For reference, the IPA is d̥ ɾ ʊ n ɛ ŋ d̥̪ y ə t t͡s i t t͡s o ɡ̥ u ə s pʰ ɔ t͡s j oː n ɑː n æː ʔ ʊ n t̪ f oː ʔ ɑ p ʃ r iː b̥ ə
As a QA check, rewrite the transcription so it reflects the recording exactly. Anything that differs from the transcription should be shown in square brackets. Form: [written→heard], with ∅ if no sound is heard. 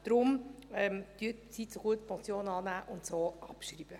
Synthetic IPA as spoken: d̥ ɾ ʊ [n→m] ɛ [ŋ→m] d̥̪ y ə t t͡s i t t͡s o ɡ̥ u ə [s→t] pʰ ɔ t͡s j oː n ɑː n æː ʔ ʊ n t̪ [f→s] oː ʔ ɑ p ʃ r iː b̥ ə